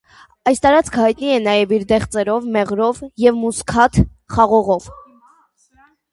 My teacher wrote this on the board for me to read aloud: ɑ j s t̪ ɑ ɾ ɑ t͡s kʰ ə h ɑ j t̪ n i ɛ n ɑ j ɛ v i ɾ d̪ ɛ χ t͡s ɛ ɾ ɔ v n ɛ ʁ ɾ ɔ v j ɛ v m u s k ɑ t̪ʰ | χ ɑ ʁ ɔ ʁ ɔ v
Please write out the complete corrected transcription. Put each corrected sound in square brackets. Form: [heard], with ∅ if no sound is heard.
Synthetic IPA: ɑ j s t̪ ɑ ɾ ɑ t͡s kʰ ə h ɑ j t̪ n i ɛ n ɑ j ɛ v i ɾ d̪ ɛ χ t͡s ɛ ɾ ɔ v [m] ɛ ʁ ɾ ɔ v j ɛ v m u s [kʰ] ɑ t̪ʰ | χ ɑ ʁ ɔ ʁ ɔ v